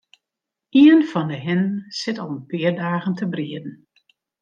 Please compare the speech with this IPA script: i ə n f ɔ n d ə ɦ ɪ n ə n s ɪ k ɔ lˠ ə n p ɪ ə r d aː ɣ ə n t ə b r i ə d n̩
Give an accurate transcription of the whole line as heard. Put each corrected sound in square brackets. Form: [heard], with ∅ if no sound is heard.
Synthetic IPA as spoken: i ə n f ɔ n d ə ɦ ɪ n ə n s ɪ [t] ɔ lˠ ə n p ɪ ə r d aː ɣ ə n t ə b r i ə d n̩